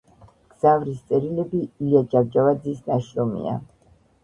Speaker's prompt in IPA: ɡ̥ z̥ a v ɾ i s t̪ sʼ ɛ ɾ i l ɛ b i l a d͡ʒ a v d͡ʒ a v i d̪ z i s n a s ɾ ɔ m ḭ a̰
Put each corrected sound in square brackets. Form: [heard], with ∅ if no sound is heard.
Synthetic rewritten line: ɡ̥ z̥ a v ɾ i s t̪ sʼ ɛ ɾ i l ɛ b i l a d͡ʒ a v d͡ʒ a v [a] d̪ z i s n a [ʃ] ɾ ɔ m ḭ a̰